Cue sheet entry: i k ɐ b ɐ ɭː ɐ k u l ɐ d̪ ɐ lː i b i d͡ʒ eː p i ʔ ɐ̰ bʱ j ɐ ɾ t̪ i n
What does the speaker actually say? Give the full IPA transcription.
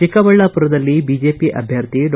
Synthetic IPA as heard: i k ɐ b ɐ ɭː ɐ p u ɾ ɐ d̪ ɐ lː i b i d͡ʒ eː p i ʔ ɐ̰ bʱ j ɐ ɾ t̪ i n